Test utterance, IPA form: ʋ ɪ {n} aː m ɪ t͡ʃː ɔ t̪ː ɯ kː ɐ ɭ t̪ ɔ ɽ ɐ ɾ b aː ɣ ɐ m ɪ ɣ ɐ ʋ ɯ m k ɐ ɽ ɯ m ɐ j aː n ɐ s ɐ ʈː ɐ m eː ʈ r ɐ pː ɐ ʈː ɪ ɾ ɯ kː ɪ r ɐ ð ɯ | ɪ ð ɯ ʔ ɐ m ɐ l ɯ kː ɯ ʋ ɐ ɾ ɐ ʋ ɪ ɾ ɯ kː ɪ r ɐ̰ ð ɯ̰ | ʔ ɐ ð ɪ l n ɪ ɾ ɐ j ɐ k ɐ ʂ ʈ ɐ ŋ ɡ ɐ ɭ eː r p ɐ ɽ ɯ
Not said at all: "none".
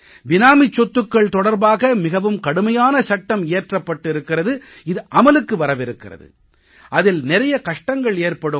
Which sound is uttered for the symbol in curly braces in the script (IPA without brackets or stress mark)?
n